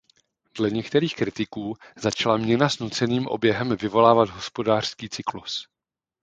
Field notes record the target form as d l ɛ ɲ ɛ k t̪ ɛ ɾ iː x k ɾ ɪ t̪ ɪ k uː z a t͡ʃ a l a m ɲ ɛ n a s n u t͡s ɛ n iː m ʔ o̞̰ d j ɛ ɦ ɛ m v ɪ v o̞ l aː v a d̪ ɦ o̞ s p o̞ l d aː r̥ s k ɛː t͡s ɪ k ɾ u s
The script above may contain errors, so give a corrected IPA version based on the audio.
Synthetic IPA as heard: d l ɛ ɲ ɛ k t̪ ɛ ɾ iː x k ɾ ɪ t̪ ɪ k uː z a t͡ʃ a l a m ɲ ɛ n a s n u t͡s ɛ n iː m ʔ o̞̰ b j ɛ ɦ ɛ m v ɪ v o̞ l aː v a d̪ ɦ o̞ s p o̞ d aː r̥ s k iː t͡s ɪ k l u s